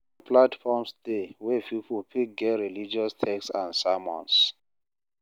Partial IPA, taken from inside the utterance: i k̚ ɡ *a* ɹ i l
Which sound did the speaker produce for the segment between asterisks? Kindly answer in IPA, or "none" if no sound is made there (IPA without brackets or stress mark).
ɛ